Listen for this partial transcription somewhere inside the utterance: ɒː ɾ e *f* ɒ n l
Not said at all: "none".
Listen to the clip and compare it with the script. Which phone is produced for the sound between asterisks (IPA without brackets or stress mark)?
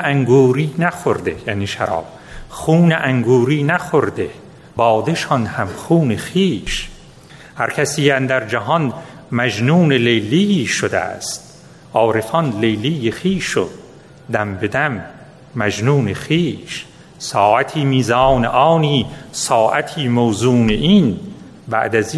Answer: f